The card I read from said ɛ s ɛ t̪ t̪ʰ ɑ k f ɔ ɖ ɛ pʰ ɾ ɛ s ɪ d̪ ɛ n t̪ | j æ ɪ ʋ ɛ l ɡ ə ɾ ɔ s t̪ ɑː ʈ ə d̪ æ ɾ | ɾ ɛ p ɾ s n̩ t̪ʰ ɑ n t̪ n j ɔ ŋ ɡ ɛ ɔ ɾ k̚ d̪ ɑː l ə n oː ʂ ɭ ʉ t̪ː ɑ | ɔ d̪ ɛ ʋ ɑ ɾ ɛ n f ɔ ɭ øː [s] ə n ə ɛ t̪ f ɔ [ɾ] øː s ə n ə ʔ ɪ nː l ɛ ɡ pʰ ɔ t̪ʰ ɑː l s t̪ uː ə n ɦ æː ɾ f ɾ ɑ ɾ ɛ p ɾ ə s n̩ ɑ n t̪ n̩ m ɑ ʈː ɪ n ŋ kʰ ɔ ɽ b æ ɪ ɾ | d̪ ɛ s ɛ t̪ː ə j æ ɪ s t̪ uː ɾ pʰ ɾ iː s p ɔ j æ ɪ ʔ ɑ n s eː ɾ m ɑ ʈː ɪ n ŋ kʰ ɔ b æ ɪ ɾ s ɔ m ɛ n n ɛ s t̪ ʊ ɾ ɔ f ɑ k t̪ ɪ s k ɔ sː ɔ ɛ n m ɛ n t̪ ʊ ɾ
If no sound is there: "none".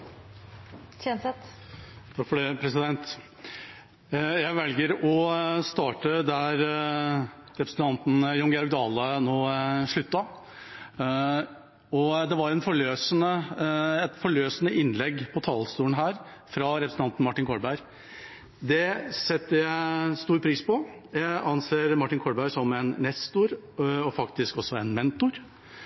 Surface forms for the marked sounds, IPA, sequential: s, ɭ

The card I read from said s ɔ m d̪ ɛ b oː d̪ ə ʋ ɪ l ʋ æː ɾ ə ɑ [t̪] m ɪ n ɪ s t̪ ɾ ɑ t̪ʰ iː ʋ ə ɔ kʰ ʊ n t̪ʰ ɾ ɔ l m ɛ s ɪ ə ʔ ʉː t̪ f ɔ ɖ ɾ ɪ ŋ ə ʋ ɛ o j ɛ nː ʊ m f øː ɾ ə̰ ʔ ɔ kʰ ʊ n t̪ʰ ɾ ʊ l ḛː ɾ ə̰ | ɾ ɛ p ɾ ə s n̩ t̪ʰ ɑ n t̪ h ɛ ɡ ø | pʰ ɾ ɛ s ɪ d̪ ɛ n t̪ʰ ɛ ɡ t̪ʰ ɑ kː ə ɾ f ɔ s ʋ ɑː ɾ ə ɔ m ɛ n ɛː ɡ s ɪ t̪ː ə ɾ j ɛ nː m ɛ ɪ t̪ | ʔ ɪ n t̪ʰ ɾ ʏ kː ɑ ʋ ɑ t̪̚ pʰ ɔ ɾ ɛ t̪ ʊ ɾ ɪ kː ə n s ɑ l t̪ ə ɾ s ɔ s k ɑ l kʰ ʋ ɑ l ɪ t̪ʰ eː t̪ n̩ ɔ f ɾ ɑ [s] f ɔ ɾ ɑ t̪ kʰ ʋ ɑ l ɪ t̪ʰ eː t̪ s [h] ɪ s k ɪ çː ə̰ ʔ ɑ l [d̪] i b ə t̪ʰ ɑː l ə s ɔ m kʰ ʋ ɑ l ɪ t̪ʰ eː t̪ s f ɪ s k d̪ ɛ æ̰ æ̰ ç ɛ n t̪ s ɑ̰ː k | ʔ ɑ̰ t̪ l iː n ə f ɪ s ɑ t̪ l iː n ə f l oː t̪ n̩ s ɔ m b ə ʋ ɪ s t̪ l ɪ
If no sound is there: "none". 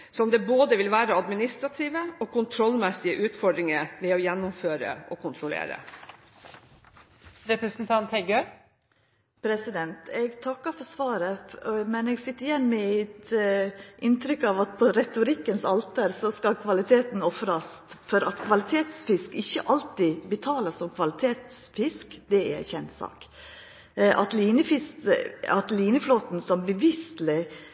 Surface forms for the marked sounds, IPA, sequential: d̪, s, f, t̪

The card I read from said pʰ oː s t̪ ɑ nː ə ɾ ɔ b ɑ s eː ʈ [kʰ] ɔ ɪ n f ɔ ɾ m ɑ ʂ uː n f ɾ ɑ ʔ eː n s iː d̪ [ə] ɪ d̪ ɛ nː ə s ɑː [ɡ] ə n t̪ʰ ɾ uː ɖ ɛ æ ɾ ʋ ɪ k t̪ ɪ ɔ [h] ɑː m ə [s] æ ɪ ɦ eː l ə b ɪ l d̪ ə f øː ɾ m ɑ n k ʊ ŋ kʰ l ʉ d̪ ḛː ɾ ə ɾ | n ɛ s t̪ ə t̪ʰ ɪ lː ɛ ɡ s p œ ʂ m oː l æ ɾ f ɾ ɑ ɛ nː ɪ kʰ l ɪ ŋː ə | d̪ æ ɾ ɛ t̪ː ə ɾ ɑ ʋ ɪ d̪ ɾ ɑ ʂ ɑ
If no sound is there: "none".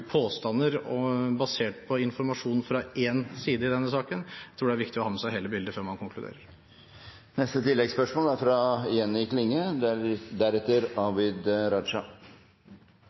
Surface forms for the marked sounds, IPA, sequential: pʰ, ə, k, h, s

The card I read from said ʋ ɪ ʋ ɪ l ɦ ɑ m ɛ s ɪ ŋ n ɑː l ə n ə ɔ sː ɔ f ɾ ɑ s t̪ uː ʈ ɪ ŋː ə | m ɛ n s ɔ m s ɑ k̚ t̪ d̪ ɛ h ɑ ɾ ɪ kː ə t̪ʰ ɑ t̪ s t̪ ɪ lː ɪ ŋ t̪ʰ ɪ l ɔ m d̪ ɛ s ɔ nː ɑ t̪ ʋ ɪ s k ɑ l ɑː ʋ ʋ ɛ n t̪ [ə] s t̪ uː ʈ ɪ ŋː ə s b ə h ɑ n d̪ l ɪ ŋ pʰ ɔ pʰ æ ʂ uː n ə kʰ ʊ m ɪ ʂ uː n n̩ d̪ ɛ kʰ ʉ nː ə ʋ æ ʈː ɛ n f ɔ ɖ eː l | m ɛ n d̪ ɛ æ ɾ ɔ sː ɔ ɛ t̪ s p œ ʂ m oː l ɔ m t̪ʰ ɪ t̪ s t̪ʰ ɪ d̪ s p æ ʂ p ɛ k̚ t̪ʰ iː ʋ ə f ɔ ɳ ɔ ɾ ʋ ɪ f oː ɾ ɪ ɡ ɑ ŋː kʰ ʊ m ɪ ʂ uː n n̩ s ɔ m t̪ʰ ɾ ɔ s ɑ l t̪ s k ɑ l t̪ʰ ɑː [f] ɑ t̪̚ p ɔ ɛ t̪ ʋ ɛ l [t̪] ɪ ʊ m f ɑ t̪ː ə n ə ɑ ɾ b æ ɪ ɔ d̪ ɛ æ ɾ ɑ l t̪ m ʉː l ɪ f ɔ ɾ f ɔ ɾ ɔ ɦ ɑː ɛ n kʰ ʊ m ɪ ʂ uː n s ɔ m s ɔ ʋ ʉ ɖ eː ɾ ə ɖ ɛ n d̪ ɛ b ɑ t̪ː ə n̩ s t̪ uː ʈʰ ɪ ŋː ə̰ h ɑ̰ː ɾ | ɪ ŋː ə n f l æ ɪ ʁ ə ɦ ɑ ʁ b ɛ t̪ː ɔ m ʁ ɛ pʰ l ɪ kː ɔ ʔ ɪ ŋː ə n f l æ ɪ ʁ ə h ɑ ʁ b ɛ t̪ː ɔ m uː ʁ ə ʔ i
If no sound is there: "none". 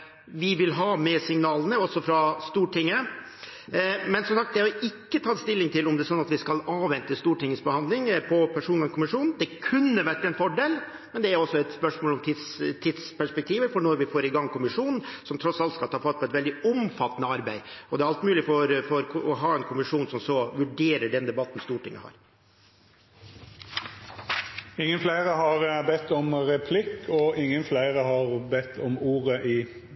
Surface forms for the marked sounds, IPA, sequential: ə, f, d̪

